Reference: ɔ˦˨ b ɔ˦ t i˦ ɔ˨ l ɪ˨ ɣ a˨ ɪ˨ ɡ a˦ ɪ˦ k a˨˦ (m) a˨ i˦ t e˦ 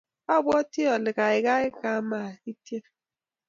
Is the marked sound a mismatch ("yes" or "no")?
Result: no